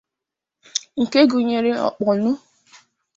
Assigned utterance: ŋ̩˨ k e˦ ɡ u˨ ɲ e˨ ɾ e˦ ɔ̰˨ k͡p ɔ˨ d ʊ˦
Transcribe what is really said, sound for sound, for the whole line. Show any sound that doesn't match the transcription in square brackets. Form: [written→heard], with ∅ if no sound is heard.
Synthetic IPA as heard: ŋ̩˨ k e˦ ɡ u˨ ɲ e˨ ɾ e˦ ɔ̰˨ k͡p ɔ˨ [d→n] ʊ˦